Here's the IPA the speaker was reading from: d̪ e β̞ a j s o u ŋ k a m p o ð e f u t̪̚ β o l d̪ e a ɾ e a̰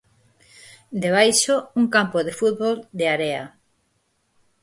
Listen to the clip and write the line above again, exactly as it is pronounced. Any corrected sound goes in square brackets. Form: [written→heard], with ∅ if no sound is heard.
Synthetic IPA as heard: d̪ e β̞ a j [s→ʃ] o u ŋ k a m p o ð e f u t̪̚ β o l d̪ e a ɾ e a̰